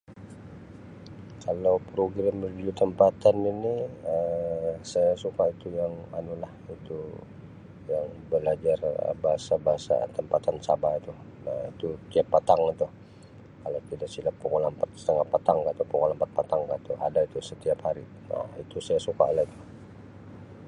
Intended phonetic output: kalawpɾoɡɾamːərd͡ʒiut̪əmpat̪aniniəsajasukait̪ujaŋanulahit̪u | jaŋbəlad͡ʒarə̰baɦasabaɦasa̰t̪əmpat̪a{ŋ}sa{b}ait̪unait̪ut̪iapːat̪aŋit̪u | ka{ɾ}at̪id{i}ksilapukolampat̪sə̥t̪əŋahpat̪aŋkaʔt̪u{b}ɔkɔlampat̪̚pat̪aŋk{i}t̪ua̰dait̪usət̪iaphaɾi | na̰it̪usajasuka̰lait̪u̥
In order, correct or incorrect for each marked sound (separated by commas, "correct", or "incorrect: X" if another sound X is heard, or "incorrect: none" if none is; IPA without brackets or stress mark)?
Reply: incorrect: n, correct, incorrect: l, incorrect: a, incorrect: p, incorrect: a